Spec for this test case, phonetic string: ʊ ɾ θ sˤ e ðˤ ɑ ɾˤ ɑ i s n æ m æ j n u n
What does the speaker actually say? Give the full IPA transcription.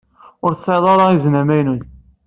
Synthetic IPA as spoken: ʊ ɾ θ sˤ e ðˤ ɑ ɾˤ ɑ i z n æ m æ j n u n